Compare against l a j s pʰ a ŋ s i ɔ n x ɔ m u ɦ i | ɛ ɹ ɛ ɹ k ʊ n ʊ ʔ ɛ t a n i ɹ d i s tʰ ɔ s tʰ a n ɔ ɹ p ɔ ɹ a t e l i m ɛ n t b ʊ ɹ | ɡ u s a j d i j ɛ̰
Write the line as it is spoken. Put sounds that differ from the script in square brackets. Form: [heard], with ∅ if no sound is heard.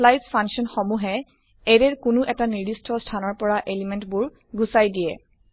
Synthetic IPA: l a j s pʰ a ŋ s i ɔ n x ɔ m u ɦ [ɛ] | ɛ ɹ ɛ ɹ k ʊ n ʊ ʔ ɛ t a n i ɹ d i s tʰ ɔ s tʰ a n ɔ ɹ p ɔ ɹ a [ʔ] e l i m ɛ n t b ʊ ɹ | ɡ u s a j d i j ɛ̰